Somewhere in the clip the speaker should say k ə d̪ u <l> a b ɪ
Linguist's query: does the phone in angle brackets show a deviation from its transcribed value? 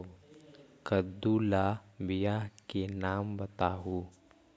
no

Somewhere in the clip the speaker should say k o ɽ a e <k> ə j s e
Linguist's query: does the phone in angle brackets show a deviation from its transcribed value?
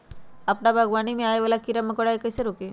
no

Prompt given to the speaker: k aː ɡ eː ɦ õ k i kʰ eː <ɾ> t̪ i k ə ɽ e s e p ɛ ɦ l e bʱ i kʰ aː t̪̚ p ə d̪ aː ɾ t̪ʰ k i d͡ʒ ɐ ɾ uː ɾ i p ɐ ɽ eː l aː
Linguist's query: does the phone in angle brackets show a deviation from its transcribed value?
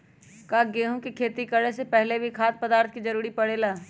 yes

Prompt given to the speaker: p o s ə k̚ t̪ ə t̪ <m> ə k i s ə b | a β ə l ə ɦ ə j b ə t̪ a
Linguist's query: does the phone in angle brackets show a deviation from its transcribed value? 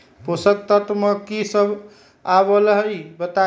no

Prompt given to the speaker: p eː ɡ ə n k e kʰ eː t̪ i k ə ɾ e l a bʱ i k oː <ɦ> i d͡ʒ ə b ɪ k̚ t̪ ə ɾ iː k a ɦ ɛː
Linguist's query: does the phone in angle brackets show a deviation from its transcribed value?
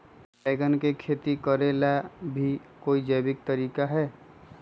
yes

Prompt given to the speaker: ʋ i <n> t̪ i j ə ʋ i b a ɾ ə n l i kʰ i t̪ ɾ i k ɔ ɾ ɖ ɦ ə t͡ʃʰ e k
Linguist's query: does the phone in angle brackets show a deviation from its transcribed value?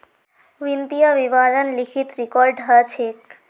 no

